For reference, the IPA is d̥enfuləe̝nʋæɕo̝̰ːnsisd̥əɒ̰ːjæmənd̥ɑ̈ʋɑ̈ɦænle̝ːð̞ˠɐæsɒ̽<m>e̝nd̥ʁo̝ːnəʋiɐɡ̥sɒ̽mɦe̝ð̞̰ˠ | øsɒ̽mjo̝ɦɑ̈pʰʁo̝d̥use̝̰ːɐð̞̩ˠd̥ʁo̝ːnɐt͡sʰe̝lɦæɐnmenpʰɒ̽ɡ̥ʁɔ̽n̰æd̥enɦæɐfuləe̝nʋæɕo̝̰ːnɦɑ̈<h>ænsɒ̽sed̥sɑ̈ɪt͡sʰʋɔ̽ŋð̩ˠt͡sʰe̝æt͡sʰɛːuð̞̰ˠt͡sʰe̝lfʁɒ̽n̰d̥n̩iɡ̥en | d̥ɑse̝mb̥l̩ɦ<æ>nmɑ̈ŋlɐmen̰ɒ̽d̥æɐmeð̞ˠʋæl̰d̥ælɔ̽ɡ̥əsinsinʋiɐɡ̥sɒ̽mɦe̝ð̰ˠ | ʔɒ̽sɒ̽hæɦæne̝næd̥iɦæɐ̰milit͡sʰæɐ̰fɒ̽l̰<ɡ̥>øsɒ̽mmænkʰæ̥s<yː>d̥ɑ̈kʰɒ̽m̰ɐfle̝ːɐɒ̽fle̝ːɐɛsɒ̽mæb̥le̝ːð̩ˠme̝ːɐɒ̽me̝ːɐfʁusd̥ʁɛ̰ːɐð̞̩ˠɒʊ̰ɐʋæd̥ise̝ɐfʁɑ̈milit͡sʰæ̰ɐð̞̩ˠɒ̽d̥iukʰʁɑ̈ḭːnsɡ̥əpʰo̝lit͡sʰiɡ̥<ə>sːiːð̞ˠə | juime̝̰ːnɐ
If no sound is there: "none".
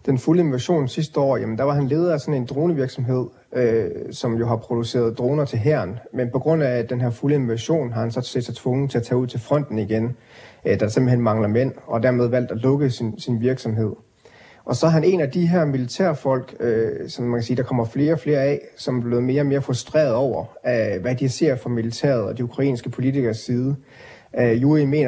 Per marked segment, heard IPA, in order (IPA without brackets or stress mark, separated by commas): n, h, e, ɡ̥, iː, ɐ